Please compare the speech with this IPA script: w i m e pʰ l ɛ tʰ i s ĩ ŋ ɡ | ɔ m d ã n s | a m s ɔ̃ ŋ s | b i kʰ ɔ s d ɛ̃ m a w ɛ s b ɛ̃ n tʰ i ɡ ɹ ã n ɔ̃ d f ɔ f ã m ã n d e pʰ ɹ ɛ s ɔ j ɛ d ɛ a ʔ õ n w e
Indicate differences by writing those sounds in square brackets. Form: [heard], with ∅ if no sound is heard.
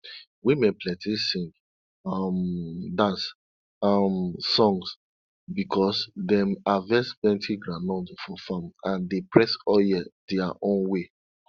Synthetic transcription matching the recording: w i m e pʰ l ɛ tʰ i s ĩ ŋ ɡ | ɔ m d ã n s | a m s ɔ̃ ŋ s | b i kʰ ɔ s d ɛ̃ m a [v] ɛ s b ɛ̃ n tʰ i ɡ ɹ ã n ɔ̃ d f ɔ f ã m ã n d e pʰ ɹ ɛ s ɔ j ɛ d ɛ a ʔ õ n w e